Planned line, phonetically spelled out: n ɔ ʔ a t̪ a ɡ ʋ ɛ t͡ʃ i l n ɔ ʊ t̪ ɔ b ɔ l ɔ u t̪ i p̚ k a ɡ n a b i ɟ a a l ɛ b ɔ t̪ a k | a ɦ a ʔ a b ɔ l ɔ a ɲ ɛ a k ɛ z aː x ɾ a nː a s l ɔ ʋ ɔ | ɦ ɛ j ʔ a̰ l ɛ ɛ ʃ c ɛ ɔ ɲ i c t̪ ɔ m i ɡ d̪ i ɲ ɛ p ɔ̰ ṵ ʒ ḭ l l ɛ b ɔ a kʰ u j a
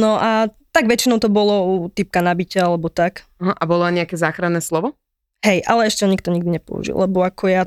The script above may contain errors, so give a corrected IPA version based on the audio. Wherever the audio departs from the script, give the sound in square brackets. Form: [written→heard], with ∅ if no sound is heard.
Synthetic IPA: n ɔ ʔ a t̪ a ɡ ʋ ɛ t͡ʃ i [l→∅] n ɔ ʊ t̪ ɔ b ɔ l ɔ u t̪ i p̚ k a [ɡ→∅] n a b i [ɟ→c] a a l ɛ b ɔ t̪ a k | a ɦ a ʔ a b ɔ l ɔ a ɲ ɛ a k ɛ z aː x ɾ a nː [a→ɛ] s l ɔ ʋ ɔ | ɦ ɛ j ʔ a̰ l ɛ ɛ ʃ c ɛ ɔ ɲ i [c→k] t̪ ɔ [m→ɲ] i ɡ d̪ i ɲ ɛ p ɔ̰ ṵ ʒ ḭ l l ɛ b ɔ a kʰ [u→ɔ] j a